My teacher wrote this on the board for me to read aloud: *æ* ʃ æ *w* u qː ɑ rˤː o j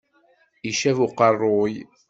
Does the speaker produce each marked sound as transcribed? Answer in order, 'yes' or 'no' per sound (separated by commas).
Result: no, no